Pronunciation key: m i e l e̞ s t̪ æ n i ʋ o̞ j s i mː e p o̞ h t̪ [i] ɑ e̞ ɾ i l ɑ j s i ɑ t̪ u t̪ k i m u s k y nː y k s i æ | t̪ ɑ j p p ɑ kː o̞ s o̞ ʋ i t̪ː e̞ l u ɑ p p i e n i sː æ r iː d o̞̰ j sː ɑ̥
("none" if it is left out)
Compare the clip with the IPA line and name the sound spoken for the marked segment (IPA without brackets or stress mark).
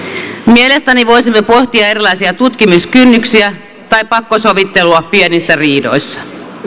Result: i